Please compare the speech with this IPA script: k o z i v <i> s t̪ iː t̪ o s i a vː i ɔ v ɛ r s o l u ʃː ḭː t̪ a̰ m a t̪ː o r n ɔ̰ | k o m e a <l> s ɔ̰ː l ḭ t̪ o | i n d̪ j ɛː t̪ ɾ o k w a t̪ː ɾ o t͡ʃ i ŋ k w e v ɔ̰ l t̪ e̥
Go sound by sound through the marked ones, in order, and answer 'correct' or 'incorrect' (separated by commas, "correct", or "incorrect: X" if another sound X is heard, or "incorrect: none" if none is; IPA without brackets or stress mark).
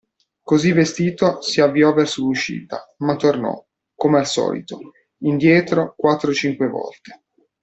incorrect: e, correct